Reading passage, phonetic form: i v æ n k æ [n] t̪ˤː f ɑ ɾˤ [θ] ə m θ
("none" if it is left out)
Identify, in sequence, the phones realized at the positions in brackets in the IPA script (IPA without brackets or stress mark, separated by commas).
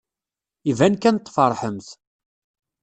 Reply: n, ħ